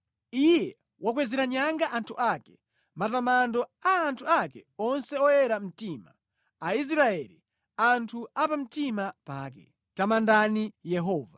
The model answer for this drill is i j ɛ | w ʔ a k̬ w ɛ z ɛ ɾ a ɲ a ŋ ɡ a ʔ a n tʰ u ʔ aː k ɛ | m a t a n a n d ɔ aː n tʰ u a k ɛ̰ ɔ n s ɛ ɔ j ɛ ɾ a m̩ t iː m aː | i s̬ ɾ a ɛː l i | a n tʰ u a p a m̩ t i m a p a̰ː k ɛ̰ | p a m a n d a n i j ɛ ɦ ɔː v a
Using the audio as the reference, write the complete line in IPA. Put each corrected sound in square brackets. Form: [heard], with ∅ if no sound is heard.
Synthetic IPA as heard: i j ɛ | w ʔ a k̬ w ɛ z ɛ ɾ a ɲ a ŋ ɡ a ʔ a n tʰ u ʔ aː k ɛ | m a t a [m] a n d ɔ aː n tʰ u a k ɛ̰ ɔ n s ɛ ɔ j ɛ ɾ a m̩ t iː m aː | i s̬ ɾ a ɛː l i | a n tʰ u a p a m̩ t i m a p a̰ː k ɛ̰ | [t] a m a n d a n i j ɛ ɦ ɔː v a